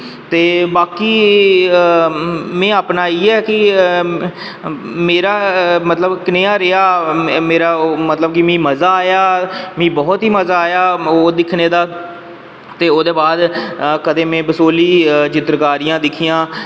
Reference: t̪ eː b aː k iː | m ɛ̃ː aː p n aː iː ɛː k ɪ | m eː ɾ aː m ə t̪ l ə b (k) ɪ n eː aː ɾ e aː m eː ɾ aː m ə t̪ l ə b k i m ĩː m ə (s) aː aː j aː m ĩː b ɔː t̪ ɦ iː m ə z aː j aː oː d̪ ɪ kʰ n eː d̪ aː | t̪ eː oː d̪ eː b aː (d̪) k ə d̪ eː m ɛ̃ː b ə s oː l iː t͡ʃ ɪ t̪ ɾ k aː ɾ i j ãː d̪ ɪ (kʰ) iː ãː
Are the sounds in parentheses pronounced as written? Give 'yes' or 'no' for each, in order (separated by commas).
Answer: yes, no, yes, yes